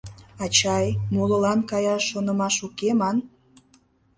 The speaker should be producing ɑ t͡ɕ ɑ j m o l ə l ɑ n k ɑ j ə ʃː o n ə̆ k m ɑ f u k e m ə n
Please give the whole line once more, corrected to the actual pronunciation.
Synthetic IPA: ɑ t͡ɕ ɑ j m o l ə l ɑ n k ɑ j ɑ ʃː o n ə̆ m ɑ ʃ u k e m ɑ n